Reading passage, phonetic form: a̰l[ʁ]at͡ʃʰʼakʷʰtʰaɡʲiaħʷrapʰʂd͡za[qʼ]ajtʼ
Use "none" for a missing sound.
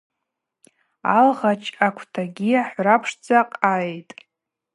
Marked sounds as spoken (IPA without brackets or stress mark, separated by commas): ʁ, qʼ